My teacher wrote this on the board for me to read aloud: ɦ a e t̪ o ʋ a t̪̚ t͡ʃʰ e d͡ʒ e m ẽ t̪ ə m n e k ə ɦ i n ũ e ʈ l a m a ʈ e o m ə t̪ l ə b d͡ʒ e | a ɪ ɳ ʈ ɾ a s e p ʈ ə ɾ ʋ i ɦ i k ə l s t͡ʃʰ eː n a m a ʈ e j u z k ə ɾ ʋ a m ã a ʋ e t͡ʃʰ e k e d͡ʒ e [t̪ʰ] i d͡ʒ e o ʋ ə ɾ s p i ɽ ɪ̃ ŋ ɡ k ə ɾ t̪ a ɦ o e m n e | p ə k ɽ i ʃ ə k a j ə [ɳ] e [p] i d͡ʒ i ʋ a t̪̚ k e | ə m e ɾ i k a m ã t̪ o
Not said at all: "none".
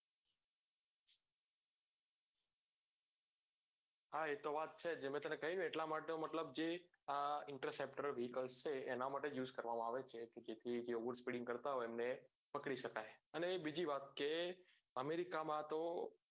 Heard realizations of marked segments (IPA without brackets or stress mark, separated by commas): t̪ʰ, n, b